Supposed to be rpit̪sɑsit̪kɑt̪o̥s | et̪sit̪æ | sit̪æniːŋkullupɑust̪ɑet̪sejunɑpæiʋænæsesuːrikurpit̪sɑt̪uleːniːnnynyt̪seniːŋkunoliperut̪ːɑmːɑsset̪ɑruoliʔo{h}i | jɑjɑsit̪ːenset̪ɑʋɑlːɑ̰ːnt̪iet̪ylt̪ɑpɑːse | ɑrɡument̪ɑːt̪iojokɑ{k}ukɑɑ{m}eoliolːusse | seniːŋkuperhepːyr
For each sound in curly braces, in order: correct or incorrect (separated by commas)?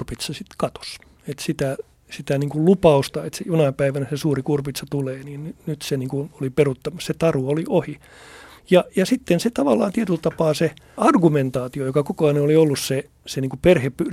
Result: correct, correct, incorrect